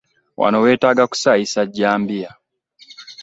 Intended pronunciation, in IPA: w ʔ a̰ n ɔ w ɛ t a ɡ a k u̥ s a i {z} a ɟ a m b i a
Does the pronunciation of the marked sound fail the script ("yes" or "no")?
yes